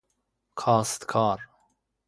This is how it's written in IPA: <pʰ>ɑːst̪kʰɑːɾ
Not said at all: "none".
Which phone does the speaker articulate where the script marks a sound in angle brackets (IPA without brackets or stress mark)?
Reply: kʰ